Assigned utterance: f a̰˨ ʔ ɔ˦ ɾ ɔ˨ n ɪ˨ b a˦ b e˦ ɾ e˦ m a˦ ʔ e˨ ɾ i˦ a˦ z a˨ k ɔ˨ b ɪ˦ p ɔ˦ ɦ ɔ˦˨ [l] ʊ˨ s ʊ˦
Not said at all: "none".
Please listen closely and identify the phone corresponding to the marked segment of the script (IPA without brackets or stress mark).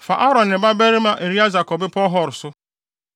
ɾ